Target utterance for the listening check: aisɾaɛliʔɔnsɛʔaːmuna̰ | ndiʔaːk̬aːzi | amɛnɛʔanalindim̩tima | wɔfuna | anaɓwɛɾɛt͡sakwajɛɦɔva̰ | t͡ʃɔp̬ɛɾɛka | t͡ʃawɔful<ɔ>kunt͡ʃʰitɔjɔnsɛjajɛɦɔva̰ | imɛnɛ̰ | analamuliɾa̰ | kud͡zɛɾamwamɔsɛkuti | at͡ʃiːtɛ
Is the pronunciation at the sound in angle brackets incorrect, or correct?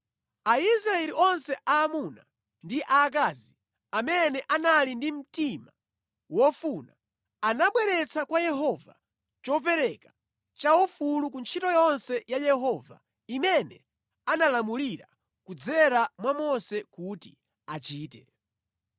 incorrect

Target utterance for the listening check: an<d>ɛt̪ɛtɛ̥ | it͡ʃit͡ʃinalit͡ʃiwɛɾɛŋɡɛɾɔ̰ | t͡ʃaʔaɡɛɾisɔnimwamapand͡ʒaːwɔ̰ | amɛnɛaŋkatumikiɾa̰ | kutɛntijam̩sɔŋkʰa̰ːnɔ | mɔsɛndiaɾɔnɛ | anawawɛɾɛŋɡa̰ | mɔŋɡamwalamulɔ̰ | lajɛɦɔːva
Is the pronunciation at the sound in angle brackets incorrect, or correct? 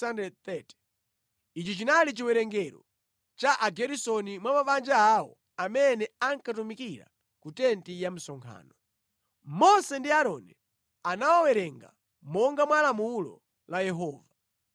correct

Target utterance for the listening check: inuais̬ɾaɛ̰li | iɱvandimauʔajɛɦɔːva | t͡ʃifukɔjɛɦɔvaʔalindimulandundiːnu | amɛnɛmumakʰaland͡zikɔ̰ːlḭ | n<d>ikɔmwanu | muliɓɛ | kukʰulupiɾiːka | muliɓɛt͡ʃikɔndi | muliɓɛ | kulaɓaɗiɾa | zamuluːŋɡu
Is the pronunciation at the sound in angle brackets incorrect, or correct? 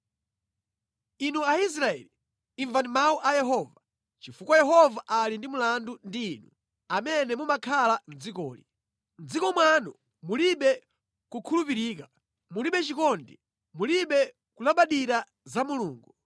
incorrect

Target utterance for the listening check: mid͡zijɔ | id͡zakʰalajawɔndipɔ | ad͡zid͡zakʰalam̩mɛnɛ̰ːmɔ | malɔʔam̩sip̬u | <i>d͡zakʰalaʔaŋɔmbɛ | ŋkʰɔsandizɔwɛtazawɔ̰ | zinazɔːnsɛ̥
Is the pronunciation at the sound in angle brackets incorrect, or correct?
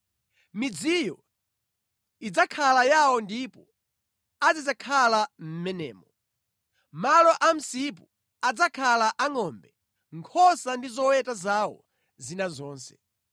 incorrect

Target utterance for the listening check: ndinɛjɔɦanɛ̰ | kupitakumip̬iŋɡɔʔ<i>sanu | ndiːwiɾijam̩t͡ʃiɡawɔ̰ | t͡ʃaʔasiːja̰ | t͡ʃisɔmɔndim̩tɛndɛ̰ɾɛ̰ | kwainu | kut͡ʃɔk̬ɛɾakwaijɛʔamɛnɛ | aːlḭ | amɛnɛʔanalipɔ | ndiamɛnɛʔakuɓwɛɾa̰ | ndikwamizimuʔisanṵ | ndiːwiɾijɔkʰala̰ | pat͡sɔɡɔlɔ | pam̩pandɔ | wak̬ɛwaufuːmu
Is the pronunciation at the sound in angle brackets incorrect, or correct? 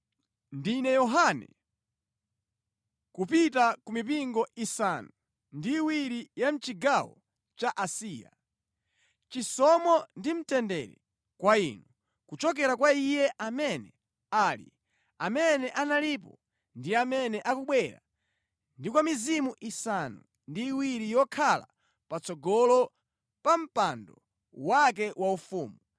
correct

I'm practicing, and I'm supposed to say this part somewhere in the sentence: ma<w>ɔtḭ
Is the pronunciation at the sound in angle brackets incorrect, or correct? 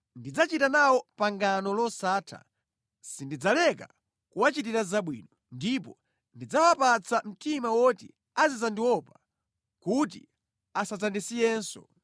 correct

